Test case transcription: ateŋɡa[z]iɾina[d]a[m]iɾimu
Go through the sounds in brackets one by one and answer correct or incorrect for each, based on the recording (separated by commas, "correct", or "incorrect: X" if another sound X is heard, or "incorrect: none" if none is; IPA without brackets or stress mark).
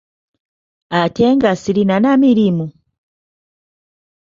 incorrect: s, incorrect: n, correct